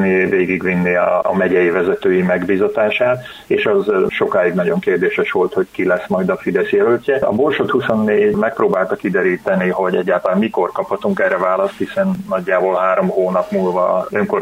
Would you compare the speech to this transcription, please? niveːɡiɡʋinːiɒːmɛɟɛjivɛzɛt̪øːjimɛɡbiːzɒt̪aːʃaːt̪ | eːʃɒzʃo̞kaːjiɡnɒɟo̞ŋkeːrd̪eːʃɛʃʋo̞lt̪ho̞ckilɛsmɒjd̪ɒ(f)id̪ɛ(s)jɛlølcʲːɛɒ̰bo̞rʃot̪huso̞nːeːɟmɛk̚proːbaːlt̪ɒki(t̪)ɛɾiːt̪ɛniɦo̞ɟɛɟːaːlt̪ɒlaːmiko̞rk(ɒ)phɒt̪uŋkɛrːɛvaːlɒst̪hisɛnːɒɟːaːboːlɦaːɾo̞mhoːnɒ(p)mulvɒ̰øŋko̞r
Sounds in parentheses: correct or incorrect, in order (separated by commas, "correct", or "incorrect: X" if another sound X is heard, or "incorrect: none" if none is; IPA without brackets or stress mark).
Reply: correct, correct, incorrect: d̪, correct, correct